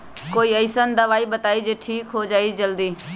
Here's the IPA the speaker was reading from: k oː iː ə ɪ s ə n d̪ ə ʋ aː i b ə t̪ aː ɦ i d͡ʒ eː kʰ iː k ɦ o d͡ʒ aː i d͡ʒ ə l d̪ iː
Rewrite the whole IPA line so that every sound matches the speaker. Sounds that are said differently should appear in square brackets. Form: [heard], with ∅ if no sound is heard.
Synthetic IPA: k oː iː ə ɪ s ə n d̪ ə ʋ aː i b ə t̪ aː [∅] i d͡ʒ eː [ʈʰ] iː k ɦ o d͡ʒ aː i d͡ʒ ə l d̪ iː